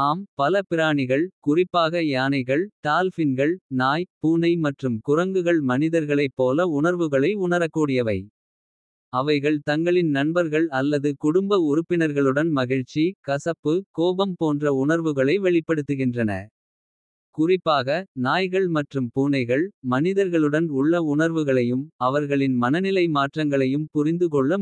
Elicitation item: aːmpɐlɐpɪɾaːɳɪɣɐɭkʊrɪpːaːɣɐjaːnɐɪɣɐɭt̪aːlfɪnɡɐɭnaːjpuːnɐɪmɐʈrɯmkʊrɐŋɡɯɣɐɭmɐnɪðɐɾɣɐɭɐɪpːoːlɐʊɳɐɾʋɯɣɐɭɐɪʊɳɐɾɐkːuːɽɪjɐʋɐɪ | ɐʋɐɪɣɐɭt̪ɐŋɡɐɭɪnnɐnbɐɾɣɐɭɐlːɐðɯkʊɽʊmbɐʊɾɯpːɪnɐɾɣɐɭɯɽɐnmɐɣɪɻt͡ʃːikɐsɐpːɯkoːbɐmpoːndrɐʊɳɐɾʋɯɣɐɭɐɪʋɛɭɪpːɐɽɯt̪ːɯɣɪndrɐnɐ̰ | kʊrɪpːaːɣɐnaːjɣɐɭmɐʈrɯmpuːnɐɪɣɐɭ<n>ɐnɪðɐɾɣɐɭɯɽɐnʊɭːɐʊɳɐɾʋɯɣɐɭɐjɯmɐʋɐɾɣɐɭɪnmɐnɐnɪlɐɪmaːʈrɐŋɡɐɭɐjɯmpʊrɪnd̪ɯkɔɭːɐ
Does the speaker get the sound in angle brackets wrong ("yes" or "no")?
yes